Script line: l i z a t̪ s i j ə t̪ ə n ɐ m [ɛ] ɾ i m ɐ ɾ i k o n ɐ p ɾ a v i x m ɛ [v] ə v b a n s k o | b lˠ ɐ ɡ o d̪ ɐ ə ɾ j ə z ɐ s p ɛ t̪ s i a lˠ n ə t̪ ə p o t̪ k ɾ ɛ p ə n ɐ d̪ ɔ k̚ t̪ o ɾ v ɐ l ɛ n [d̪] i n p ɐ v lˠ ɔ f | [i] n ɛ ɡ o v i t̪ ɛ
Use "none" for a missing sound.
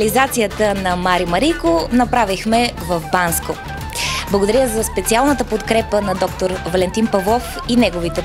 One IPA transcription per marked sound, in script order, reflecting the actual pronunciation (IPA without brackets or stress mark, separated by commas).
a, v, t̪, i